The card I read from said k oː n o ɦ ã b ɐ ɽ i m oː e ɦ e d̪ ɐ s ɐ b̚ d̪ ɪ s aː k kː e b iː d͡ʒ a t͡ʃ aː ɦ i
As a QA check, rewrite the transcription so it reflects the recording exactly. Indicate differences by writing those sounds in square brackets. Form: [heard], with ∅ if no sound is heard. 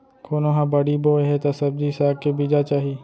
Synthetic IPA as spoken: k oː n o ɦ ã b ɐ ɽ i [b] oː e ɦ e [t̪] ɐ s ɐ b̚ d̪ [i] s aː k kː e b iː d͡ʒ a t͡ʃ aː ɦ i